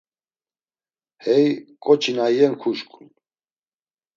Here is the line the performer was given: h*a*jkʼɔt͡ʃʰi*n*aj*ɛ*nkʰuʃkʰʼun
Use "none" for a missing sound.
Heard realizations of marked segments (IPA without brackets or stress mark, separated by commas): ɛ, n, ɛ